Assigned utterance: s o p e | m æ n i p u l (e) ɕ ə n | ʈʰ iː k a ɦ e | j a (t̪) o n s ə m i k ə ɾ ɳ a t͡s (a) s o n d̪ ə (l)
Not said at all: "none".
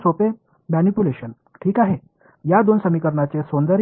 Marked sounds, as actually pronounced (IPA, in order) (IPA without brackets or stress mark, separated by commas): e, d̪, e, ɾ